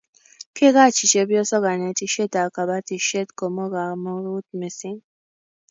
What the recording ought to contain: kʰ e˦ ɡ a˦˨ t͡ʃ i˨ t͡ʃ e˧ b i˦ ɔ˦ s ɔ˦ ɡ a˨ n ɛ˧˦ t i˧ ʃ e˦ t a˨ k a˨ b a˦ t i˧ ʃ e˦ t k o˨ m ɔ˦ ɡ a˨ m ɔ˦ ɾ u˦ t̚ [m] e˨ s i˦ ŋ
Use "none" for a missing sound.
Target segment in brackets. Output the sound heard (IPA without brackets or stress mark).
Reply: m